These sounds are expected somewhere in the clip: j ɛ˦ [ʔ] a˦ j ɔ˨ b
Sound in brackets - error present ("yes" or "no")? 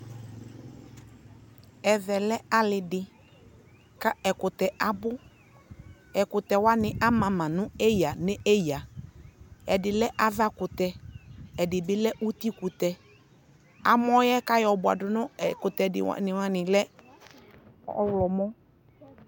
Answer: yes